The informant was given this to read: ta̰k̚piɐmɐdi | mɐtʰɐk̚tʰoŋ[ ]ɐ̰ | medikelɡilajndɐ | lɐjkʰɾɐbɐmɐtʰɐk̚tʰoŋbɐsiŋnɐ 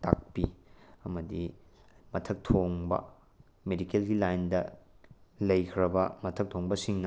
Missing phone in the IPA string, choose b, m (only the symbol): b